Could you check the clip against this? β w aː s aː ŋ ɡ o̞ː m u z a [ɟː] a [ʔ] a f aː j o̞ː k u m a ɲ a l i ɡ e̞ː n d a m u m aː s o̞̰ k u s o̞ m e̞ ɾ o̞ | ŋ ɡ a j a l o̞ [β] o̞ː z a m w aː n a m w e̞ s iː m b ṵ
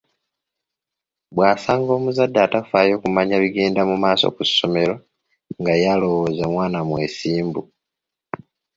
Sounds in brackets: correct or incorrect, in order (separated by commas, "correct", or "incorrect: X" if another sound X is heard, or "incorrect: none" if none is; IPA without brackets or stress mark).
incorrect: dː, incorrect: t, incorrect: w